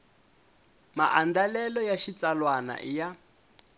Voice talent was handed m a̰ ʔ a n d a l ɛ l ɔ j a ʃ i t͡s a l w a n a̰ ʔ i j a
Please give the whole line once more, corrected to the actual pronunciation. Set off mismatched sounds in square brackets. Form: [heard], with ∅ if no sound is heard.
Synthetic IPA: m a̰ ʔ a n d a l ɛ l ɔ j a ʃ i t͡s a l w a n a̰ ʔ i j a